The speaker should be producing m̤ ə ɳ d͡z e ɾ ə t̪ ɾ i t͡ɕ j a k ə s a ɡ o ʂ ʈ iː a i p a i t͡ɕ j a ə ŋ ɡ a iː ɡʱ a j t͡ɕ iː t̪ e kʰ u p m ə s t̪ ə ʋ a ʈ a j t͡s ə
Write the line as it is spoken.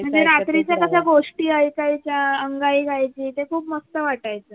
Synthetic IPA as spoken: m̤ ə ɳ d͡z e ɾ a t̪ ɾ i t͡ɕ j a k ə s a ɡ o ʂ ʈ iː a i k a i t͡ɕ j a ə ŋ ɡ a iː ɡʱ a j t͡ɕ iː t̪ e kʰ uː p m ə s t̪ ə ʋ a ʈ a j t͡s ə

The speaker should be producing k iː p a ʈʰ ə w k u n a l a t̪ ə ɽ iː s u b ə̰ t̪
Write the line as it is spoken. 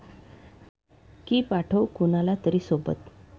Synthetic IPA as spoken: k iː p a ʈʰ ə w k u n a l a t̪ ə ɾ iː s o b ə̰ t̪

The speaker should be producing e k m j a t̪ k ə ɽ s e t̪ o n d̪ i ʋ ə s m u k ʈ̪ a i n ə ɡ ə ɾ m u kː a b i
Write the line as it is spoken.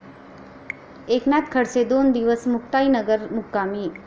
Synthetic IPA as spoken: e k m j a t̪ kʰ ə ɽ s e d̪ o n d̪ i ʋ ə s m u k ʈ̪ a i n ə ɡ ə ɾ m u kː a m i

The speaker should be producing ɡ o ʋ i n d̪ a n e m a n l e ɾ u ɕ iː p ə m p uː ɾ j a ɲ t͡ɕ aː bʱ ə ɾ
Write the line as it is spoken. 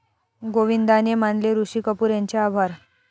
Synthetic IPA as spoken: ɡ o ʋ i n d̪ a n e m a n l e ɾ u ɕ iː k ə p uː ɾ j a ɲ t͡ɕ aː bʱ a ɾ

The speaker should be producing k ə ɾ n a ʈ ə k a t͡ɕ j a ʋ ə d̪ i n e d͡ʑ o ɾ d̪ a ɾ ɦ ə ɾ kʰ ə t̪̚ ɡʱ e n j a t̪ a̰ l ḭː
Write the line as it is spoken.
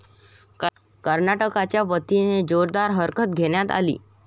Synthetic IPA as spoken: k ə ɾ n a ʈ ə k a t͡ɕ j a ʋ ə t̪ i n e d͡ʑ o ɾ d̪ a ɾ ɦ ə ɾ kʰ ə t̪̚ ɡʱ e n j a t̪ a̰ l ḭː

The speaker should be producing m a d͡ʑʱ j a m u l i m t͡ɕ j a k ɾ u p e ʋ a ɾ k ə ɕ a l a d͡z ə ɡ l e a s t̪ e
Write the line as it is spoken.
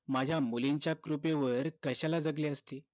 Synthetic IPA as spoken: m a d͡ʑʱ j a m u l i ɲ t͡ɕ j a k ɾ u p e ʋ ə ɾ k ə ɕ a l a d͡z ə ɡ l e ə s t̪ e

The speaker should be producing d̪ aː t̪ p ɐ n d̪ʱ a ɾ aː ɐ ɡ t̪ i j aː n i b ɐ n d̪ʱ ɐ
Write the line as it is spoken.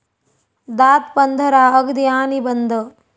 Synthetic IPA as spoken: d̪ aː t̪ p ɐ n d̪ʱ ɐ ɾ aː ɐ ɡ d̪ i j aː n i b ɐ n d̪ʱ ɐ

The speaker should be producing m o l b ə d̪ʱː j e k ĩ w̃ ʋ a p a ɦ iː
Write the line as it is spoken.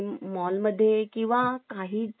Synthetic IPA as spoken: m ɔ l m ə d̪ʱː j e k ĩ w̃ ʋ a k a ɦ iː

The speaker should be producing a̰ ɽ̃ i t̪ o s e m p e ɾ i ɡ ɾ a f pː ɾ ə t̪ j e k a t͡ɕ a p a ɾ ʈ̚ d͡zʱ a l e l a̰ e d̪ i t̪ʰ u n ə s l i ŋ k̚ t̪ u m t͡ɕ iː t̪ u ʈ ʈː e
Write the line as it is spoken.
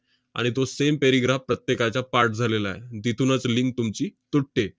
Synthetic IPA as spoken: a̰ ɽ̃ i t̪ o s e m p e ɾ i ɡ ɾ a f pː ɾ ə t̪ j e k a t͡ɕ a p a ɾ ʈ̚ d͡zʱ a l e l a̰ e d̪ i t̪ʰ u n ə t͡s l i ŋ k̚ t̪ u m t͡ɕ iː t̪ u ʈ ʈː e

